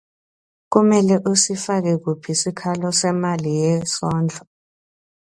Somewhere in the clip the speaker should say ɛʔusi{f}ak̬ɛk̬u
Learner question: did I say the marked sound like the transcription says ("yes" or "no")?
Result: yes